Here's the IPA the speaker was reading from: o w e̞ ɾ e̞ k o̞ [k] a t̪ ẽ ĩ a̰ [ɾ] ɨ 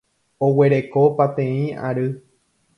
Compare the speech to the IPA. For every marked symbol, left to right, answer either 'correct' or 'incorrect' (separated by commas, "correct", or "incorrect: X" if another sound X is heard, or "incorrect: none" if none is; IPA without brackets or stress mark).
incorrect: p, correct